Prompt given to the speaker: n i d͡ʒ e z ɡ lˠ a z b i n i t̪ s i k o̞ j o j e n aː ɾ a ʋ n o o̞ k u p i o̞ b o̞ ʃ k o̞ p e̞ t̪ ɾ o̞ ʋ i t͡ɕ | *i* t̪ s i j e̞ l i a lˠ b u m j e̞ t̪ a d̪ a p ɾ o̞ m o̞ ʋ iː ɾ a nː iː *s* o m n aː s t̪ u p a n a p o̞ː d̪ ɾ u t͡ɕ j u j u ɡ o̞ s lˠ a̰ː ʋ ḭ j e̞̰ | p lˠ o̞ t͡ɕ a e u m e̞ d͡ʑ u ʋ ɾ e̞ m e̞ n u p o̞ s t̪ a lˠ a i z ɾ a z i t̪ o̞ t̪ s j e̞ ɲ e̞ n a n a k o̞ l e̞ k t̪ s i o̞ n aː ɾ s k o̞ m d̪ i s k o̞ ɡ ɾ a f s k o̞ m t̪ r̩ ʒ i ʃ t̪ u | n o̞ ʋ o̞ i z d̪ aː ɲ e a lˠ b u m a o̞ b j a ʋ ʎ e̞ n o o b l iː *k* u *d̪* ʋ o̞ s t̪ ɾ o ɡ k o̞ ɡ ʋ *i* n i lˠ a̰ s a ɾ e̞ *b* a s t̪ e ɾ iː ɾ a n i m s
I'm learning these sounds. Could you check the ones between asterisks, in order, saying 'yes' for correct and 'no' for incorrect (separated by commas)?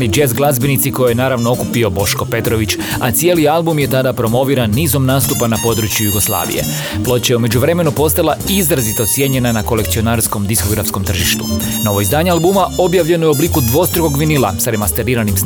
no, no, yes, yes, yes, no